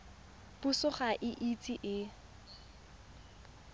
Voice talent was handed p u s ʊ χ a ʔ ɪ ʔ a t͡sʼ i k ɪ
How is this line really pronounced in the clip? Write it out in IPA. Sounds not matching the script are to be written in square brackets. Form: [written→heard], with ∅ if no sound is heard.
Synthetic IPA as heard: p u s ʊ χ a ʔ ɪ ʔ [a→i] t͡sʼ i [k→ʔ] ɪ